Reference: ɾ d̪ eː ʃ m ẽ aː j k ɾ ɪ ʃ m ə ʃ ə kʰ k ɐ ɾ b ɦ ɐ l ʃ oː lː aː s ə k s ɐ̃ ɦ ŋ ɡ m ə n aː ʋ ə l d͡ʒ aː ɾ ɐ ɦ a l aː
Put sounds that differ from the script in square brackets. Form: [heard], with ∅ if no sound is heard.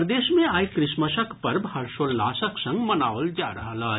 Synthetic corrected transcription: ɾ d̪ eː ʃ m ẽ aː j k ɾ ɪ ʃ m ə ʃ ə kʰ [p] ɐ ɾ b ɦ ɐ [ɾ] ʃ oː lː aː s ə k s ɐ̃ [∅] ŋ ɡ m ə n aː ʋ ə l d͡ʒ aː ɾ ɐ ɦ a l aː